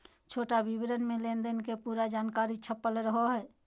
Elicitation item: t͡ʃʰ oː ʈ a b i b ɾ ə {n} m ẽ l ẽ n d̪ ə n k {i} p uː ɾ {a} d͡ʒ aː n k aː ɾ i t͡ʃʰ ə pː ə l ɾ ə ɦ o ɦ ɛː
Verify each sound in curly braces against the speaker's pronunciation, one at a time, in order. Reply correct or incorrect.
correct, incorrect: e, correct

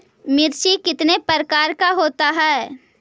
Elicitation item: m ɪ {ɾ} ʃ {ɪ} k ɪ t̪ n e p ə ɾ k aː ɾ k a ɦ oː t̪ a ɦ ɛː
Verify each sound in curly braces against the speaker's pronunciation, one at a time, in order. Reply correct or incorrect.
correct, incorrect: i

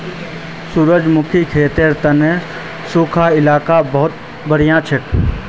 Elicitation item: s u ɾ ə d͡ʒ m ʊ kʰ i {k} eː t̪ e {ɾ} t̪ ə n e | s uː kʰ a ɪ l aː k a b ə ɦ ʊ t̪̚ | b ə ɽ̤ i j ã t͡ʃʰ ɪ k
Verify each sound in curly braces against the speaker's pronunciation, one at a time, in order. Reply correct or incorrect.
incorrect: kʰ, correct

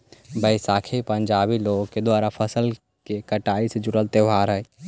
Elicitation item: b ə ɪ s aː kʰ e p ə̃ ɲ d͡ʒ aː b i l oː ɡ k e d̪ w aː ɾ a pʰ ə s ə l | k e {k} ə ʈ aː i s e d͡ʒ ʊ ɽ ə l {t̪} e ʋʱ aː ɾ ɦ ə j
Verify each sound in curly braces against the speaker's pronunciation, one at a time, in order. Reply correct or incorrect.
correct, correct

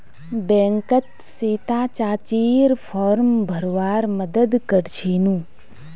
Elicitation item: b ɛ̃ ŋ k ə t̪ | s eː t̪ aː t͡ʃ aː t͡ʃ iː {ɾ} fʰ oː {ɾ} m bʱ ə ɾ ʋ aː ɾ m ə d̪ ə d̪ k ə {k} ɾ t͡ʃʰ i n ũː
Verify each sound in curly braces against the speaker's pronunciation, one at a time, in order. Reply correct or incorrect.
correct, correct, incorrect: none

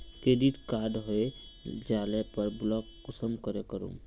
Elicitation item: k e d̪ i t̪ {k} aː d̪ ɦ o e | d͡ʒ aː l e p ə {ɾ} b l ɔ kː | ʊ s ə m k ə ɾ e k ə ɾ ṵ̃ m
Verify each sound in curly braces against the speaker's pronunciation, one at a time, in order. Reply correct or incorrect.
correct, correct

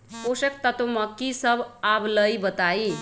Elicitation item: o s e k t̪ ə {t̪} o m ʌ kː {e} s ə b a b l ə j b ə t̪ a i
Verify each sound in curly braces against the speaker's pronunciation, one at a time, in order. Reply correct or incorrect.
correct, incorrect: i

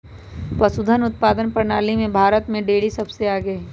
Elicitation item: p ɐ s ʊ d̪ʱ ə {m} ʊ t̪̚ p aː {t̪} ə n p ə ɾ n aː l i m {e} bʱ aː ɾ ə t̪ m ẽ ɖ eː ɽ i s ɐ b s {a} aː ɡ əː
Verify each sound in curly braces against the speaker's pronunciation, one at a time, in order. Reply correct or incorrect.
incorrect: n, incorrect: d̪, incorrect: ẽ, incorrect: e

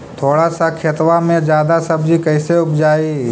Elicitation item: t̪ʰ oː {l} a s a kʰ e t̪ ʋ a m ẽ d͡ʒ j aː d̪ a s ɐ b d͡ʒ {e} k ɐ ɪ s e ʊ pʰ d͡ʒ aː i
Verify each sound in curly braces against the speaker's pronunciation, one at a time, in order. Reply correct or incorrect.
incorrect: ɽ, incorrect: i

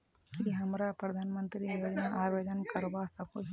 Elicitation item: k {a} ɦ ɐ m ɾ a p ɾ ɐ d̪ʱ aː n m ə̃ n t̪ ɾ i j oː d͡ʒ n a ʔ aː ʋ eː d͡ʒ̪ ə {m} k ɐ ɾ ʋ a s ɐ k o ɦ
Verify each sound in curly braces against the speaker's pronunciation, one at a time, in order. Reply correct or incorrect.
incorrect: i, incorrect: n

